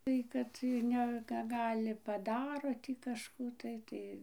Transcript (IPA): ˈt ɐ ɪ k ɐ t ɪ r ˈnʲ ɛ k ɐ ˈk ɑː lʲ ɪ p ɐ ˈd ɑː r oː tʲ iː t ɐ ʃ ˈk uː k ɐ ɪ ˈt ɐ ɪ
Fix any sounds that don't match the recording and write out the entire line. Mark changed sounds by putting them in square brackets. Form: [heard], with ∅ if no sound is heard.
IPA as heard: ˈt ɐ ɪ k ɐ t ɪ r ˈnʲ ɛ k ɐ [ˈɡ] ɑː lʲ ɪ p ɐ ˈd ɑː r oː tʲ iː [k] ɐ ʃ ˈk uː [t] ɐ ɪ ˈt ɐ ɪ